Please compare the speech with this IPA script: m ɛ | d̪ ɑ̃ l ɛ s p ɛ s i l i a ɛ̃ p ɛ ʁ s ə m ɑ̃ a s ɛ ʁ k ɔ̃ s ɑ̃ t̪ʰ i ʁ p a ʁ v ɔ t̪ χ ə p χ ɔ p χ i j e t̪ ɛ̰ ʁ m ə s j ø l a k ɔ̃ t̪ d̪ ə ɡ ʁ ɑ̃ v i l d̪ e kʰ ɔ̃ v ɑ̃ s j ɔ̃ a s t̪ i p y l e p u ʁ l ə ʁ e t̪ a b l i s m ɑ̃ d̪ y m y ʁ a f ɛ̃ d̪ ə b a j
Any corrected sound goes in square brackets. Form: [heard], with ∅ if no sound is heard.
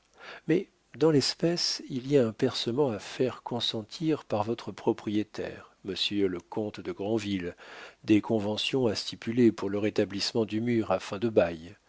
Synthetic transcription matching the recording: m ɛ | d̪ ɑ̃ l ɛ s p ɛ s i l i a ɛ̃ p ɛ ʁ s ə m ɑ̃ a [f] ɛ ʁ k ɔ̃ s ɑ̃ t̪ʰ i ʁ p a ʁ v ɔ t̪ χ ə p χ ɔ p χ i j e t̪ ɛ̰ ʁ m ə s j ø l [ə] k ɔ̃ t̪ d̪ ə ɡ ʁ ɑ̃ v i l d̪ e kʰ ɔ̃ v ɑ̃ s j ɔ̃ a s t̪ i p y l e p u ʁ l ə ʁ e t̪ a b l i s m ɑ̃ d̪ y m y ʁ a f ɛ̃ d̪ ə b a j

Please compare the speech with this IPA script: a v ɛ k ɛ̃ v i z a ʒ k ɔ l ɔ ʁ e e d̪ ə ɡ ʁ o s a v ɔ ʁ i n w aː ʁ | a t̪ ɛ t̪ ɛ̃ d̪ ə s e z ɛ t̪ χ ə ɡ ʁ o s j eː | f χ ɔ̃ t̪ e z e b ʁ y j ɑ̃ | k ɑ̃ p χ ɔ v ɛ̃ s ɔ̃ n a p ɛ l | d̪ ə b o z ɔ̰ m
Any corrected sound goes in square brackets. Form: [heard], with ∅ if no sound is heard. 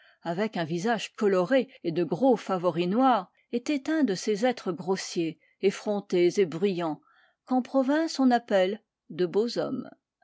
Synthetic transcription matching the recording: a v ɛ k ɛ̃ v i z a ʒ k ɔ l ɔ ʁ e e d̪ ə ɡ ʁ o [f] a v ɔ ʁ i n w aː ʁ | [e] t̪ ɛ t̪ ɛ̃ d̪ ə s e z ɛ t̪ χ ə ɡ ʁ o s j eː | f χ ɔ̃ t̪ e z e b ʁ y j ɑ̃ | k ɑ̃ p χ ɔ v ɛ̃ s ɔ̃ n a p ɛ l | d̪ ə b o z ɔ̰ m

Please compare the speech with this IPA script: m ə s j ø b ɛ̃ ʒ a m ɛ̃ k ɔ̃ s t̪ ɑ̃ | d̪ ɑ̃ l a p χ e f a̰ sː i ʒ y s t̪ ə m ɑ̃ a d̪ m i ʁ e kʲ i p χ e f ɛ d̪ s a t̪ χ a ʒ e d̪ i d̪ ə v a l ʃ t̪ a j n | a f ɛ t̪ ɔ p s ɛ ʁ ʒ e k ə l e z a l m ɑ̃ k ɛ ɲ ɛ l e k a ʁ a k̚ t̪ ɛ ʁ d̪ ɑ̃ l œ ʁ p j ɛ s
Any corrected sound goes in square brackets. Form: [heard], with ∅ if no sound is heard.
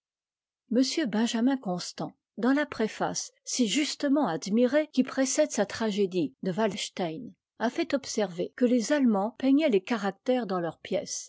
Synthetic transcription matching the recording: m ə s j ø b ɛ̃ ʒ a m ɛ̃ k ɔ̃ s t̪ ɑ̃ | d̪ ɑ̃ l a p χ e f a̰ sː i ʒ y s t̪ ə m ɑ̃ a d̪ m i ʁ e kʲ i p χ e [s] ɛ d̪ s a t̪ χ a ʒ e d̪ i d̪ ə v a l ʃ t̪ a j n | a f ɛ t̪ ɔ p s ɛ ʁ [v] e k ə l e z a l m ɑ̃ [p] ɛ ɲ ɛ l e k a ʁ a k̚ t̪ ɛ ʁ d̪ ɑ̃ l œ ʁ p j ɛ s

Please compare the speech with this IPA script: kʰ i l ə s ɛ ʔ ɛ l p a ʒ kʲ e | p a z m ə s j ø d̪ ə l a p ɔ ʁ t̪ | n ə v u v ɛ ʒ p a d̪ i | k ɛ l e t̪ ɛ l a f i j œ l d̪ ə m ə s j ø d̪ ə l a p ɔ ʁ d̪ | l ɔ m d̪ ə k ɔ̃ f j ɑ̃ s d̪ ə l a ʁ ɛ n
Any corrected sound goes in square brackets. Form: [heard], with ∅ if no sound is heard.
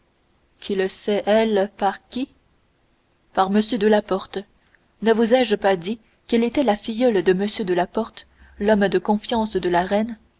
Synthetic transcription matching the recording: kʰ i l ə s ɛ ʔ ɛ l p a [ʁ] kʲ [i] | p a [ʁ] m ə s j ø d̪ ə l a p ɔ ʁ t̪ | n ə v u [z] ɛ ʒ p a d̪ i | k ɛ l e t̪ ɛ l a f i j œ l d̪ ə m ə s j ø d̪ ə l a p ɔ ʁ [t̪] | l ɔ m d̪ ə k ɔ̃ f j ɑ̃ s d̪ ə l a ʁ ɛ n

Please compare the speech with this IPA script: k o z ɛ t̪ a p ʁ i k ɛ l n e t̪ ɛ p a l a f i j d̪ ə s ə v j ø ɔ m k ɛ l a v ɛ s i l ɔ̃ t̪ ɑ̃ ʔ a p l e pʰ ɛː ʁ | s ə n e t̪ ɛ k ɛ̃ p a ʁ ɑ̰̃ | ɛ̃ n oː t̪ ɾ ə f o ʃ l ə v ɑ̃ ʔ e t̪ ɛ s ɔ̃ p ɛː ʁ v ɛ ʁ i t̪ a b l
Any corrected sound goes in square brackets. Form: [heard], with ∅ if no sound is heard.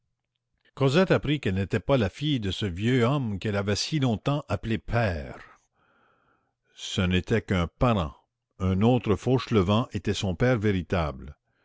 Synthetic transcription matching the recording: k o z ɛ t̪ a p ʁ i k ɛ l n e t̪ ɛ p a l a f i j d̪ ə s ə v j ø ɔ m k ɛ l a v ɛ s i l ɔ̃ t̪ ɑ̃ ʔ a p l e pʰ ɛː ʁ | s ə n e t̪ ɛ k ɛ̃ p a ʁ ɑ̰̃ | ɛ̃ n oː t̪ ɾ ə f o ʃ l ə v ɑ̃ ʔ e t̪ ɛ s ɔ̃ p ɛː ʁ v [e] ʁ i t̪ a b l

